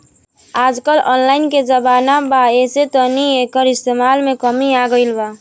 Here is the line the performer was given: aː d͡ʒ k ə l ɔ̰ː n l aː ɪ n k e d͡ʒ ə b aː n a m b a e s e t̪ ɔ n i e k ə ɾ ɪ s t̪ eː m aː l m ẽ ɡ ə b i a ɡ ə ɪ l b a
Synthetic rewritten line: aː d͡ʒ k ə l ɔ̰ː n l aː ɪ n k e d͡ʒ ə b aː n a b a e s e t̪ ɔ n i e k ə ɾ ɪ s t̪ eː m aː l m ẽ k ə m i a ɡ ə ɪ l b a